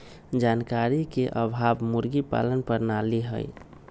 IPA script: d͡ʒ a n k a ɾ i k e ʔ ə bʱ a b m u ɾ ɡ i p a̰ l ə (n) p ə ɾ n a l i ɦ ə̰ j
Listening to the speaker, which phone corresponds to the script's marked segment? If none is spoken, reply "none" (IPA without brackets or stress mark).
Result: n